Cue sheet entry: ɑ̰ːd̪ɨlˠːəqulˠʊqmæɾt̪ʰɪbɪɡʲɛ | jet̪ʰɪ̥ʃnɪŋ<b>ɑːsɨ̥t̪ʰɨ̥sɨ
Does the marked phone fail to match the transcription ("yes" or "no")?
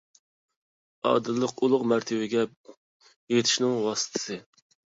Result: yes